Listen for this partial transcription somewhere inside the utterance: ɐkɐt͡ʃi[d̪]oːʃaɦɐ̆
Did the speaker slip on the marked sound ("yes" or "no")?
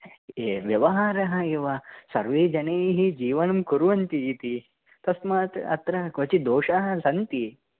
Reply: no